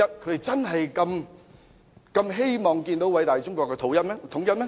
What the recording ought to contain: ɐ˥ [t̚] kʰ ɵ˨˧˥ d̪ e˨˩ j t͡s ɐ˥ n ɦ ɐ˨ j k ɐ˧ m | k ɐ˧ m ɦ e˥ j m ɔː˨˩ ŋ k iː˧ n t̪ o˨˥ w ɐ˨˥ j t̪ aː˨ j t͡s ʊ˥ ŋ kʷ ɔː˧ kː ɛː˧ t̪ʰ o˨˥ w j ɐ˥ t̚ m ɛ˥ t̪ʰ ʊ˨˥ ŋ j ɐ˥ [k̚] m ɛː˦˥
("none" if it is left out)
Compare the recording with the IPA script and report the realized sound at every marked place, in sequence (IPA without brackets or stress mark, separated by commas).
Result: t̚, t̚